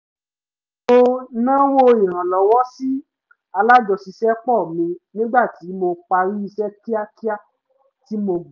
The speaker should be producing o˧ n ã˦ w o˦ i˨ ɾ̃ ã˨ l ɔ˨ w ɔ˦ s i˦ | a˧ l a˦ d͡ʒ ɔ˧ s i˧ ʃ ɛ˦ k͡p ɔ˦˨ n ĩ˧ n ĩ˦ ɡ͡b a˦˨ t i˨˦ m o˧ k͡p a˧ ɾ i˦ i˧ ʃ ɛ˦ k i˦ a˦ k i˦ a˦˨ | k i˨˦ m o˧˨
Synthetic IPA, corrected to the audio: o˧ n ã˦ w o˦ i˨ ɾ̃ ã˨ l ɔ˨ w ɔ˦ s i˦ | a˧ l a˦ d͡ʒ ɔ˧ s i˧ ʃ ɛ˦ k͡p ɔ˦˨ m ĩ˧ n ĩ˦ ɡ͡b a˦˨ t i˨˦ m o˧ k͡p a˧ ɾ i˦ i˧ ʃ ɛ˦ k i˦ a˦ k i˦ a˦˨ | t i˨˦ m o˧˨

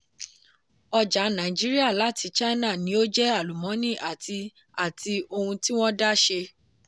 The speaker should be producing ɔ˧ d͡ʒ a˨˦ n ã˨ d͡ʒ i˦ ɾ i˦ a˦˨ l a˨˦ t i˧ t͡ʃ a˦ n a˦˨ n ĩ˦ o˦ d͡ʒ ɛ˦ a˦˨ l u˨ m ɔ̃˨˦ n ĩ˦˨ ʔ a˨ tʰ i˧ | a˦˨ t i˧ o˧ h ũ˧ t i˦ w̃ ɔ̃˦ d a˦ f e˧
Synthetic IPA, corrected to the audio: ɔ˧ d͡ʒ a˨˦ n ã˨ d͡ʒ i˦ ɾ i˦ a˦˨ l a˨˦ t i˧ t͡ʃ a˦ n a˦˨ n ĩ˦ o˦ d͡ʒ ɛ˦ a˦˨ l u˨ m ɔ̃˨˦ n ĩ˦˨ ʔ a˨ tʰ i˧ | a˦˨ t i˧ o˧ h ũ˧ t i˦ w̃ ɔ̃˦ d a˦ ʃ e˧

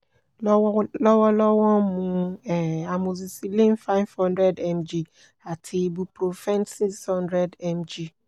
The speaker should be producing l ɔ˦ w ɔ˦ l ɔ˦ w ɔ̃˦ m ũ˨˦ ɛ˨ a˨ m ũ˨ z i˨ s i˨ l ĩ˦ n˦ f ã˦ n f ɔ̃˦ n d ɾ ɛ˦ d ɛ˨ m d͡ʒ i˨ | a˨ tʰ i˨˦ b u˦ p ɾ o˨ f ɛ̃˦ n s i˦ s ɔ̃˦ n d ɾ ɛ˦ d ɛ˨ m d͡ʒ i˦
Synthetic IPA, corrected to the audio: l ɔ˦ w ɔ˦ l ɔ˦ w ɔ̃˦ m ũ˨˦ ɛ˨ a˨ m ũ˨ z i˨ s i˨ l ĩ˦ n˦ f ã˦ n f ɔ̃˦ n d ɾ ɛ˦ d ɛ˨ m d͡ʒ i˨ | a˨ tʰ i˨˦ b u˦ p ɾ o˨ f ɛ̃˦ n s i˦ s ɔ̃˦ n d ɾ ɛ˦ d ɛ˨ m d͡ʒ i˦

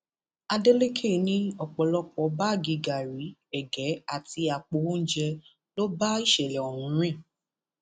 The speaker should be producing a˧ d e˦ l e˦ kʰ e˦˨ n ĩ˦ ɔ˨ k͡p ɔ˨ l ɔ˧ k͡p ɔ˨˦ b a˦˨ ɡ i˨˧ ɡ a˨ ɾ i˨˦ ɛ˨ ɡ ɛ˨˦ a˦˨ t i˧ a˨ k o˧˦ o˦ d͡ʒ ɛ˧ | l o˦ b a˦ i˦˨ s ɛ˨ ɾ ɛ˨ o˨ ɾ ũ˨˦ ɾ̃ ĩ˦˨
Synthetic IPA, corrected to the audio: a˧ d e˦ l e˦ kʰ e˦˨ n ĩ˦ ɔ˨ k͡p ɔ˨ l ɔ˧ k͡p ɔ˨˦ b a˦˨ ɡ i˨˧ ɡ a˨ ɾ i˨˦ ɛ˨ ɡ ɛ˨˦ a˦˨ t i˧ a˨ k͡p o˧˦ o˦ d͡ʒ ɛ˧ | l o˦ b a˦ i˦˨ ʃ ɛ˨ l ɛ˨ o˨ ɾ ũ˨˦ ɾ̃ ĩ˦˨

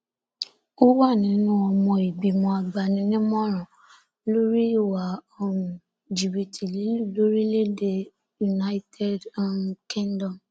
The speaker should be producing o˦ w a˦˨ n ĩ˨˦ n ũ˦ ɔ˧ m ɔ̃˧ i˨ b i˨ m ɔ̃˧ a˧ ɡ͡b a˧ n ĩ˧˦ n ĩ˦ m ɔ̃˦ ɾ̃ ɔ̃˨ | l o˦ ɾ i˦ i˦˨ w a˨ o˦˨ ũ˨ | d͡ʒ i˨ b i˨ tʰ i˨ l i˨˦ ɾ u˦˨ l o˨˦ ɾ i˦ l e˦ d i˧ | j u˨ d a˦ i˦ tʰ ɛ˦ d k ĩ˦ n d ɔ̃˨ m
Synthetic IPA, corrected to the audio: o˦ w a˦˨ n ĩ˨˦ n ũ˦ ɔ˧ m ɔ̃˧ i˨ b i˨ m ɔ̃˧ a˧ ɡ͡b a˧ n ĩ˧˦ n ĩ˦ m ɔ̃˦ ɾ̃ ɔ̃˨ | l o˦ ɾ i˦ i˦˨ w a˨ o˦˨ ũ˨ | d͡ʒ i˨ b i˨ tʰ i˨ l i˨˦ l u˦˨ l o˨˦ ɾ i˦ l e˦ d e˧ | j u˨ n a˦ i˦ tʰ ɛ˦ d k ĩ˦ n d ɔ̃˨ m

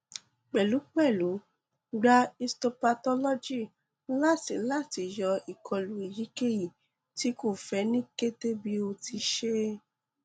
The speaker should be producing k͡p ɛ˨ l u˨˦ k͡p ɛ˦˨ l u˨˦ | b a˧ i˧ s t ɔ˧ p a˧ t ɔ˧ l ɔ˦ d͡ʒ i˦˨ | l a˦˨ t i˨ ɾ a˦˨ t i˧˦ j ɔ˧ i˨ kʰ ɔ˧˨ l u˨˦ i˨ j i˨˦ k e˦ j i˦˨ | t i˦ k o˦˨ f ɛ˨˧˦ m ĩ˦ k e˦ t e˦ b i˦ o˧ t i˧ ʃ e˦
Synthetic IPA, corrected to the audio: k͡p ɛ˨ l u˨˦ k͡p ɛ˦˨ l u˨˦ | ɡ͡b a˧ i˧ s t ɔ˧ p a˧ t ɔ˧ l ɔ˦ d͡ʒ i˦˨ | l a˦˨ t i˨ l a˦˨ t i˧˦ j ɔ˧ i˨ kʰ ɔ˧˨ l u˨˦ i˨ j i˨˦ k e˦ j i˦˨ | t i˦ k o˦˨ f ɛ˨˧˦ n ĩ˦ k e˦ t e˦ b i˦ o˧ t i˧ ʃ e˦

